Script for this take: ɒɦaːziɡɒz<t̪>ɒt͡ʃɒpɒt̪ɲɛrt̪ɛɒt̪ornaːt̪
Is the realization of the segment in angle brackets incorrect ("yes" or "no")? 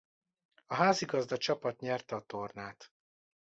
yes